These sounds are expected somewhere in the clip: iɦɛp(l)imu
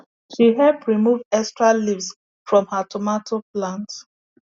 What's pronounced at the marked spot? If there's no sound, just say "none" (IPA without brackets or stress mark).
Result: ɹ